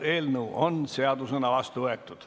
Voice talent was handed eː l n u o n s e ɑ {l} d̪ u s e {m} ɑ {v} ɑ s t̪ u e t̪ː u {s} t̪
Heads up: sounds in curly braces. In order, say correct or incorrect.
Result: incorrect: none, incorrect: n, incorrect: ʋ, incorrect: none

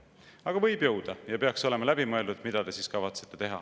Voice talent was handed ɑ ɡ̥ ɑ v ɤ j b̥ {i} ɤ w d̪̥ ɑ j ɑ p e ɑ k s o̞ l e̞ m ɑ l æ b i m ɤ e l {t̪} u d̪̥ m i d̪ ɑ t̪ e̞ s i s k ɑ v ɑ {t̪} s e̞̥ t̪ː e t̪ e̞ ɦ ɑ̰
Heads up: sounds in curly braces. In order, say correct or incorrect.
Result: incorrect: j, incorrect: d̪, correct

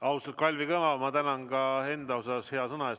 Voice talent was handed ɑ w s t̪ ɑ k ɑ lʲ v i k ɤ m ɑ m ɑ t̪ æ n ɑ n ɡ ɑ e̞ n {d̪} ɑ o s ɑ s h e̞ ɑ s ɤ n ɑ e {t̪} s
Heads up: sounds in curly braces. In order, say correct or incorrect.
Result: correct, incorrect: none

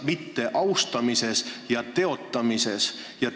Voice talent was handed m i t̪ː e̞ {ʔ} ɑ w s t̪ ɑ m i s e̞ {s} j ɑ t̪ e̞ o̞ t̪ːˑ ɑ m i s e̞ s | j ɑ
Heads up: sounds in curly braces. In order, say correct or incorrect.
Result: correct, correct

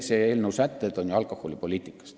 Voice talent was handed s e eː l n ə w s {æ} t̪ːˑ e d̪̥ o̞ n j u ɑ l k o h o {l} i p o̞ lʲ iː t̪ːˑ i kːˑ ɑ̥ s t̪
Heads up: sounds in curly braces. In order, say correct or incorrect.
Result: correct, correct

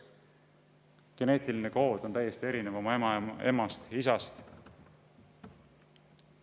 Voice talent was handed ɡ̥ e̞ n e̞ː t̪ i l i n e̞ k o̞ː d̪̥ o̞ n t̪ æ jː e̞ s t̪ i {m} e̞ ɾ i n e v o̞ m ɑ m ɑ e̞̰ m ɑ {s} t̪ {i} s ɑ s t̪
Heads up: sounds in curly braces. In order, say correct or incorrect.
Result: incorrect: none, correct, correct

